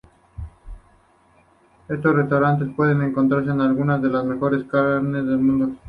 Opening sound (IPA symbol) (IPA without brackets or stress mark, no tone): e̞